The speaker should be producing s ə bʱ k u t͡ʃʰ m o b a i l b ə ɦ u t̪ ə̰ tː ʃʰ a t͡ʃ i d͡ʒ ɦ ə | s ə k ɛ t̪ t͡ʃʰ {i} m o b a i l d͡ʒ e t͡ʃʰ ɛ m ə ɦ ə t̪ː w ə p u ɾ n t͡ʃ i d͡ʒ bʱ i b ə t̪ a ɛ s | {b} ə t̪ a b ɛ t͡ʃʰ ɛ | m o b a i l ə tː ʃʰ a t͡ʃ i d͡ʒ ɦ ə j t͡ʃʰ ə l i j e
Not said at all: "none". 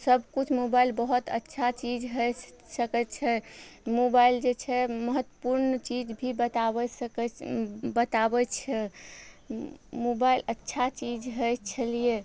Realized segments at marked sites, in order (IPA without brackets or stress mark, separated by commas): ɛ, b